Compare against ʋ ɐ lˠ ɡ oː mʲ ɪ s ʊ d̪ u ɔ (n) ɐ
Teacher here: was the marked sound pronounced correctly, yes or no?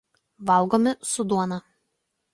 yes